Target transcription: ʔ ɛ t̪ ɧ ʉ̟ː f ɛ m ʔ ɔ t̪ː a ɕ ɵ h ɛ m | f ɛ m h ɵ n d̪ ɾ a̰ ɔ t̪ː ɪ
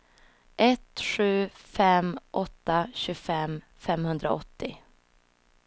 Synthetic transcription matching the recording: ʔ ɛ t̪ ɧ ʉ̟ː f ɛ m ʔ ɔ t̪ː a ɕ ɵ f ɛ m | f ɛ m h ɵ n d̪ ɾ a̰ ɔ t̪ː ɪ